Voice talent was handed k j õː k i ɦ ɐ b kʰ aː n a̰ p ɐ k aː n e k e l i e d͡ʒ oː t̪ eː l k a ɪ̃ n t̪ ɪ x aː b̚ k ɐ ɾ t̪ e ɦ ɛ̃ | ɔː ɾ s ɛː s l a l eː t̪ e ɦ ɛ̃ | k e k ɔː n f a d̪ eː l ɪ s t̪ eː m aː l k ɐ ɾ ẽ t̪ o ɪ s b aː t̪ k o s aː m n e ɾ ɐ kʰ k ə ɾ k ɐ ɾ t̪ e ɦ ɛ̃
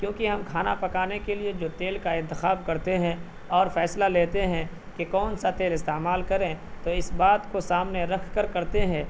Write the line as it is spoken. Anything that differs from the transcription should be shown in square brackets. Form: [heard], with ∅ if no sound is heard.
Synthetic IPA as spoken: k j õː k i ɦ ɐ [m] kʰ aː n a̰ p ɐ k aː n e k e l i e d͡ʒ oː t̪ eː l k a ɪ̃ n t̪ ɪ x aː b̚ k ɐ ɾ t̪ e ɦ ɛ̃ | ɔː ɾ [f] ɛː s l a l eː t̪ e ɦ ɛ̃ | k e k ɔː n [s] a [t̪] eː l ɪ s t̪ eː m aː l k ɐ ɾ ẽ t̪ o ɪ s b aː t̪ k o s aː m n e ɾ ɐ kʰ k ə ɾ k ɐ ɾ t̪ e ɦ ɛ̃